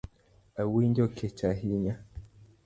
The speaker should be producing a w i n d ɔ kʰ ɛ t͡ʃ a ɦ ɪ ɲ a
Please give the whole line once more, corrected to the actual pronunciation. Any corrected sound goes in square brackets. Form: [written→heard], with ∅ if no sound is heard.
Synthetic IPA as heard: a w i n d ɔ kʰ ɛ t͡ʃ a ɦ [ɪ→i] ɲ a